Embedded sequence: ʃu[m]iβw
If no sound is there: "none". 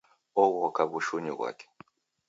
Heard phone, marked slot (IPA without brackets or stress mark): ɲ